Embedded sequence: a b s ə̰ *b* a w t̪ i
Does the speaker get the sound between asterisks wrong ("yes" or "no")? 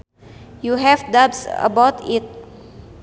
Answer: no